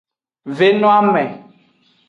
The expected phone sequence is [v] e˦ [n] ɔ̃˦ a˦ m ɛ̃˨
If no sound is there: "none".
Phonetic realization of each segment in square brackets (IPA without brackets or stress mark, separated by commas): v, n